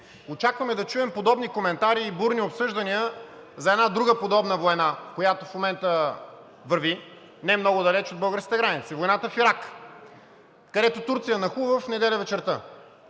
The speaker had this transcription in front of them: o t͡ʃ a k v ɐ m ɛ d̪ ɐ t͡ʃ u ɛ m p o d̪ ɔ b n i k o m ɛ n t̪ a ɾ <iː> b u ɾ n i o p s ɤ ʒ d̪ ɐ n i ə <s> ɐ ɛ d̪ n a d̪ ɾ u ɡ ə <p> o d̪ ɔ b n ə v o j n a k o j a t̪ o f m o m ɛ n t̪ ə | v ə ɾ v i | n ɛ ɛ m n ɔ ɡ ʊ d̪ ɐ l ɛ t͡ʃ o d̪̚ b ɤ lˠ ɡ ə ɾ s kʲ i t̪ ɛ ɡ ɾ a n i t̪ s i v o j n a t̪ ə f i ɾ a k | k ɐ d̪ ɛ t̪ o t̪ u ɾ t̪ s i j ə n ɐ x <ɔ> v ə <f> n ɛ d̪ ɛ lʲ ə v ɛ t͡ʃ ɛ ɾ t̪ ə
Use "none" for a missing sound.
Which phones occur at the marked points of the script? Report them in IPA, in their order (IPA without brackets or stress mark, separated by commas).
iː, z, p, u, f